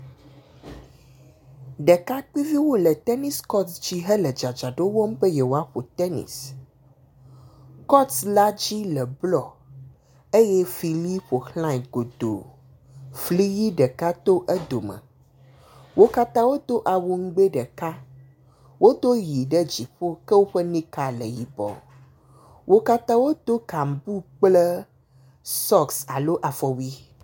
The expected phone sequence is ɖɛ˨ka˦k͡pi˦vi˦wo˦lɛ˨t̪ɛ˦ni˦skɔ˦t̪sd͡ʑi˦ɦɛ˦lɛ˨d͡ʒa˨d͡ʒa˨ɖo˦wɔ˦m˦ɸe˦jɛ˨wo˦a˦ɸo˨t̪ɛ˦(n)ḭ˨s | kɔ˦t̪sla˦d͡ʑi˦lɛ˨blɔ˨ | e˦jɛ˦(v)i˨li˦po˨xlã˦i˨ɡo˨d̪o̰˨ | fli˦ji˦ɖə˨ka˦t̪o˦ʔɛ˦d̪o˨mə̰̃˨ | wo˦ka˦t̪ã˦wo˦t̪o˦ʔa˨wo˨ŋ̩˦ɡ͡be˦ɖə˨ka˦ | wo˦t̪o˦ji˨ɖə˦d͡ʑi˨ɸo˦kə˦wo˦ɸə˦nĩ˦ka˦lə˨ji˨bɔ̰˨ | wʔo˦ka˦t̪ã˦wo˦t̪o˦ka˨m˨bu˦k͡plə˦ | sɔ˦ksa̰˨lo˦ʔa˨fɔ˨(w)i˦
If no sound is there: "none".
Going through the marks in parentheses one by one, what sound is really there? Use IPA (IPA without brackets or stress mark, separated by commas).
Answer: n, f, w